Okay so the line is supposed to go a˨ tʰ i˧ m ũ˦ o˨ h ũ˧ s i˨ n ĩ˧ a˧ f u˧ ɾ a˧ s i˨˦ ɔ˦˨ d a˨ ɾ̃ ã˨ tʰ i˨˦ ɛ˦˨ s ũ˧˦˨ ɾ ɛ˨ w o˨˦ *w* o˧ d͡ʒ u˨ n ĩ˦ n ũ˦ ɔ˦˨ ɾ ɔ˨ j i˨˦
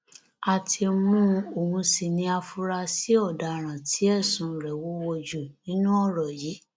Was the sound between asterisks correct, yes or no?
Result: yes